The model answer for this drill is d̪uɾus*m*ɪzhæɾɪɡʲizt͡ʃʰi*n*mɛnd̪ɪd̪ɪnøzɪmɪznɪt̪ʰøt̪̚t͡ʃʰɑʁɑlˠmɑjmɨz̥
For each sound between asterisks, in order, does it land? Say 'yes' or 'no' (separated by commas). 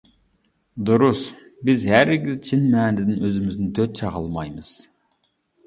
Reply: no, yes